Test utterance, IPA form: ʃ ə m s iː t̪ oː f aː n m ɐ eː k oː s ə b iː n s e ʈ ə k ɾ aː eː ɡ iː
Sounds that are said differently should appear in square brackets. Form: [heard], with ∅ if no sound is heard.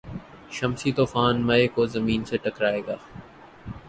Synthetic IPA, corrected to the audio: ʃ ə m s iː t̪ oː f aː n m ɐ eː k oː [z] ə [m] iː n s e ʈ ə k ɾ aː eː ɡ [aː]